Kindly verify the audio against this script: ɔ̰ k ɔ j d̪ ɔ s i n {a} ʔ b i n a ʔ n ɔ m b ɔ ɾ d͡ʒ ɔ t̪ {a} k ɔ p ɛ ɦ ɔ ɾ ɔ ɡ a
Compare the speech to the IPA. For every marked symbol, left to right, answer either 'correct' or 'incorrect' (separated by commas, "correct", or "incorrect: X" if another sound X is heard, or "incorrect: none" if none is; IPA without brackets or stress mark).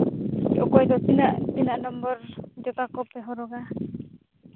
correct, correct